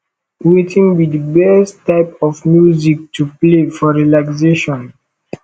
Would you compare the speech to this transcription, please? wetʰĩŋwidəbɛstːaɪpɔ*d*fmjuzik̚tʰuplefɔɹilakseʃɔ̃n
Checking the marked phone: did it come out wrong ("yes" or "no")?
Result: yes